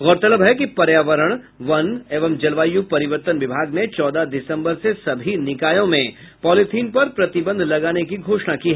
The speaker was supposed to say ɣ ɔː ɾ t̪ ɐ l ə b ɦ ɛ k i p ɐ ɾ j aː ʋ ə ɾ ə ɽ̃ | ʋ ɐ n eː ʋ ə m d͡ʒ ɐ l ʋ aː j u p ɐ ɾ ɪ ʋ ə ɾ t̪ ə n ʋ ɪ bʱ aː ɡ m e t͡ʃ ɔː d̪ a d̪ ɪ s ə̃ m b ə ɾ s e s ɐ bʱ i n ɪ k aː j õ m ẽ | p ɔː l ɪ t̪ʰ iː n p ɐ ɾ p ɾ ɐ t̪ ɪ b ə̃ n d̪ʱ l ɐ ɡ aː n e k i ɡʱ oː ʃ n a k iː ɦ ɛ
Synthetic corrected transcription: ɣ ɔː ɾ t̪ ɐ l ə b ɦ ɛ k i p ɐ ɾ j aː ʋ ə ɾ ə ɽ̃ | ʋ ɐ n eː ʋ ə m d͡ʒ ɐ l ʋ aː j u p ɐ ɾ ɪ ʋ ə ɾ t̪ ə n ʋ ɪ bʱ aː ɡ n e t͡ʃ ɔː d̪ a d̪ ɪ s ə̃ m b ə ɾ s e s ɐ bʱ i n ɪ k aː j õ m ẽ | p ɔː l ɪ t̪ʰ iː n p ɐ ɾ p ɾ ɐ t̪ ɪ b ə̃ n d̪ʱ l ɐ ɡ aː n e k i ɡʱ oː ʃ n a k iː ɦ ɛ

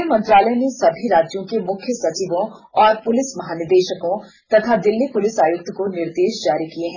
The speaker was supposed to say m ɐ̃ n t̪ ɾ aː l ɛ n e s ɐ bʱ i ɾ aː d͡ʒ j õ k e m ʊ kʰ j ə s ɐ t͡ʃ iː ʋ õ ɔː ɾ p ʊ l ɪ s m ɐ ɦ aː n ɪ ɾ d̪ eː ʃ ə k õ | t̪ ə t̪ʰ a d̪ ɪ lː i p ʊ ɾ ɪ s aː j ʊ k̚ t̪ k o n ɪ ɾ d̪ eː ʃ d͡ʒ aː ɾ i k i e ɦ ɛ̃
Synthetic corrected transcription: m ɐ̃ n t̪ ɾ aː l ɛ n e s ɐ bʱ i ɾ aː d͡ʒ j õ k e m ʊ kʰ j ə s ɐ t͡ʃ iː ʋ õ ɔː ɾ p ʊ l ɪ s m ɐ ɦ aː n ɪ ɾ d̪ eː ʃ ə k õ | t̪ ɐ t̪ʰ a d̪ ɪ lː i p ʊ l ɪ s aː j ʊ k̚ t̪ k o n ɪ ɾ d̪ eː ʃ d͡ʒ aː ɾ i k i e ɦ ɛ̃

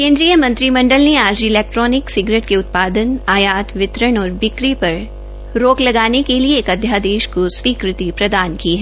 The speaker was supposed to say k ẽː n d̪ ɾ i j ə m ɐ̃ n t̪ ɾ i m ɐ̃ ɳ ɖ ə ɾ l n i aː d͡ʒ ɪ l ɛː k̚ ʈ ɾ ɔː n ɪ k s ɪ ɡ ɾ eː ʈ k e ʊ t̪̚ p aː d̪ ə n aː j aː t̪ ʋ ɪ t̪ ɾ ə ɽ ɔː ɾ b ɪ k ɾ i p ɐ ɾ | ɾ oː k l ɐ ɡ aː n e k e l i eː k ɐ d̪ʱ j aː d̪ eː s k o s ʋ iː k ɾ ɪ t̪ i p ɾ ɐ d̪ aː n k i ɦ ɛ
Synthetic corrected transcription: k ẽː n d̪ ɾ i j ə m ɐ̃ n t̪ ɾ i m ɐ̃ ɳ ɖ ə l n e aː d͡ʒ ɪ l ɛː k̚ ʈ ɾ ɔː n ɪ k s ɪ ɡ ɾ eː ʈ k e ʊ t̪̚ p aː d̪ ə n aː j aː t̪ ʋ ɪ t̪ ɾ ə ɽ ɔː ɾ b ɪ k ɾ i p ɐ ɾ | ɾ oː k l ɐ ɡ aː n e k e l i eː k ɐ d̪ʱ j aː d̪ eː ʃ k o s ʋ iː k ɾ ɪ t̪ i p ɾ ɐ d̪ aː n k i ɦ ɛ

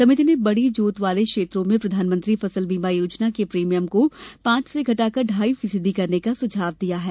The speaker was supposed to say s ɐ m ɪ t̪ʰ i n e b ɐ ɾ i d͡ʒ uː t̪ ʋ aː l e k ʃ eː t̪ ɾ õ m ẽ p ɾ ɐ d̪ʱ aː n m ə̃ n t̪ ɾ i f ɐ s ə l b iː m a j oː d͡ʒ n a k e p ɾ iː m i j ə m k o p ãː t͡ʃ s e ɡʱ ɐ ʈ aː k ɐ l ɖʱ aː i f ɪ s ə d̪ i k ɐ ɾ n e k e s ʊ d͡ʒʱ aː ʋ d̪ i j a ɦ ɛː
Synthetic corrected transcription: s ɐ m ɪ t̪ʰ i n e b ɐ ɽ i d͡ʒ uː t̪ ʋ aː l e k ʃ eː t̪ ɾ õ m ẽ p ɾ ɐ d̪ʱ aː n m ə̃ n t̪ ɾ i f ɐ s ə l b iː m a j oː d͡ʒ n a k e p ɾ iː m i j ə m k o p ãː t͡ʃ s e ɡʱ ɐ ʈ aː k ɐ ɾ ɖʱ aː i f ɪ s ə d̪ i k ɐ ɾ n e k a s ʊ d͡ʒʱ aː ʋ d̪ i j a ɦ ɛː

